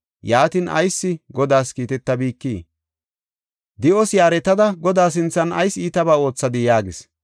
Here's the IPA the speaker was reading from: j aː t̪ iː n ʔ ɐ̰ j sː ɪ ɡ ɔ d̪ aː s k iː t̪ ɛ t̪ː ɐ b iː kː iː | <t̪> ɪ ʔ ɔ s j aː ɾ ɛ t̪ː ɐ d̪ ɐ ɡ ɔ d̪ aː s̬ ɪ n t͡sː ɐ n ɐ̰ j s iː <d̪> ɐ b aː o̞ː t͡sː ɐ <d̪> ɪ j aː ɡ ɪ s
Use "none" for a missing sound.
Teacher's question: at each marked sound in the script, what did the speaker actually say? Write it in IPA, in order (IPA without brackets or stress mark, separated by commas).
d̪, t̪, d̪